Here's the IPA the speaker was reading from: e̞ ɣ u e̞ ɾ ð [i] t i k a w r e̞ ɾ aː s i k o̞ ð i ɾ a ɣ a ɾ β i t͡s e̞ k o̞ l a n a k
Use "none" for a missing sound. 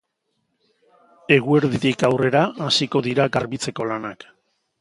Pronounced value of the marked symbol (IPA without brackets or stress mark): i